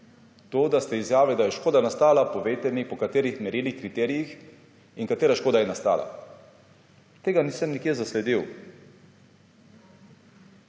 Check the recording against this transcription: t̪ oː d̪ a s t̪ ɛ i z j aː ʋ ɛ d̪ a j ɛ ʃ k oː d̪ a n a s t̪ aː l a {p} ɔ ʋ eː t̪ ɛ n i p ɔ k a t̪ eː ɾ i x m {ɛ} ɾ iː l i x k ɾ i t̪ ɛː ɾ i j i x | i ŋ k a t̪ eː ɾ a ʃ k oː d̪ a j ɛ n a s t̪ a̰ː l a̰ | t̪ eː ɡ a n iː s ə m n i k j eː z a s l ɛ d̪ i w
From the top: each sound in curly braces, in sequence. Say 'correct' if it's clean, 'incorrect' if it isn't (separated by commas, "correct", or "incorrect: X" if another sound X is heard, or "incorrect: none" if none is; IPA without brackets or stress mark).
correct, correct